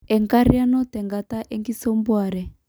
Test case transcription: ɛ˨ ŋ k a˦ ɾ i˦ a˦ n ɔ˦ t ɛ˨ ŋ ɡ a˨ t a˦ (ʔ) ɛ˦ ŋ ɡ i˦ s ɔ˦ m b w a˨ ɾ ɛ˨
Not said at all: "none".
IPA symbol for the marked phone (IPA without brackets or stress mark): ʔ